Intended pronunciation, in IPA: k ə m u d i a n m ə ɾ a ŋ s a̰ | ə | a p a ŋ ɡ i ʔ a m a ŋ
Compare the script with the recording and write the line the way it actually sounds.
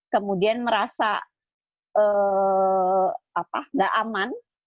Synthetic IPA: k ə m u d i a n m ə ɾ a s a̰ | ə | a p a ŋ ɡ a ʔ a m a n